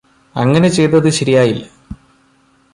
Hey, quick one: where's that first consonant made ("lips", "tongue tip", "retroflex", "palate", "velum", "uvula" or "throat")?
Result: velum